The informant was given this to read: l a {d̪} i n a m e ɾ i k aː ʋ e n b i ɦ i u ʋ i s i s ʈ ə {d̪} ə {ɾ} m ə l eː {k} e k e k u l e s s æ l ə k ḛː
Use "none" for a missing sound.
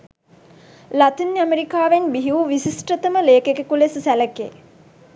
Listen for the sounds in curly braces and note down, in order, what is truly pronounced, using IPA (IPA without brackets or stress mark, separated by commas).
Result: t̪, t̪, none, k